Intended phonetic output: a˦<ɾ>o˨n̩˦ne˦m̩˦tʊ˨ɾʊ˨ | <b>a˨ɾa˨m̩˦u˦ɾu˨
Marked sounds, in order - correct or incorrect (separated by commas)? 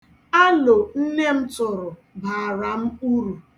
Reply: incorrect, correct